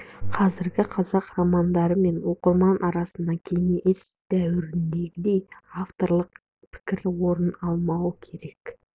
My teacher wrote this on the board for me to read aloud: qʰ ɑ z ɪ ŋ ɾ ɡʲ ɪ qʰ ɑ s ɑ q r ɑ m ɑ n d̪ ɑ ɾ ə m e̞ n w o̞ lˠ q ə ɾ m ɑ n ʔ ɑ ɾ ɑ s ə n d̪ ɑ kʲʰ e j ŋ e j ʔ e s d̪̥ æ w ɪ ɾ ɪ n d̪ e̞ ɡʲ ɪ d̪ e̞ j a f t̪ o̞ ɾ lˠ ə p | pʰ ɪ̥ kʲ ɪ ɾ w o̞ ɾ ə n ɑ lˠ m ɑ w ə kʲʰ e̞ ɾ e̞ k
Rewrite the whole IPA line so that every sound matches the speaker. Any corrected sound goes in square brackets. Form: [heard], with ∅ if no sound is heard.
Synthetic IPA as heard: qʰ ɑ z ɪ [∅] ɾ ɡʲ ɪ qʰ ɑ [z] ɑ q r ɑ m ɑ n d̪ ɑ ɾ ə m e̞ n w o̞ [∅] q ə ɾ m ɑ n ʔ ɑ ɾ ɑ s ə n d̪ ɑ kʲʰ e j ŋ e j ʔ e s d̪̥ æ w ɪ ɾ ɪ n d̪ e̞ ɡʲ ɪ d̪ e̞ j a f t̪ o̞ ɾ lˠ ə [q] | pʰ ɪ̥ kʲ ɪ ɾ w o̞ ɾ ə n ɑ lˠ m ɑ w ə kʲʰ e̞ ɾ e̞ k